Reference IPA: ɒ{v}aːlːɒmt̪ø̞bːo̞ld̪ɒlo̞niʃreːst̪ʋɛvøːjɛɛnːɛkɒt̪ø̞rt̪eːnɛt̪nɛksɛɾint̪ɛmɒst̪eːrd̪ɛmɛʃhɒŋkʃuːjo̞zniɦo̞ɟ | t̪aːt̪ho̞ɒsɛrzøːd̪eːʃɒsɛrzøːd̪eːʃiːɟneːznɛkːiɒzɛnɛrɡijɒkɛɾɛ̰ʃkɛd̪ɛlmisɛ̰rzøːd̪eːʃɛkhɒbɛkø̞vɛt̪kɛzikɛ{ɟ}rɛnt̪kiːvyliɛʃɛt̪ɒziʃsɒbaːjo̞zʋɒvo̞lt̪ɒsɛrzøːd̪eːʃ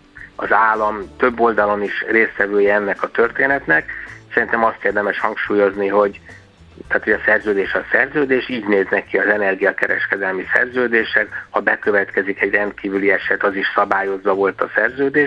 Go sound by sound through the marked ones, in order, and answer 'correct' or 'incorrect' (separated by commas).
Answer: incorrect, correct